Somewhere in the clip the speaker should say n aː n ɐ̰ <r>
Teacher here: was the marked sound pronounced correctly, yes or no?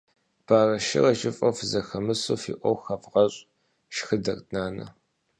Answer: no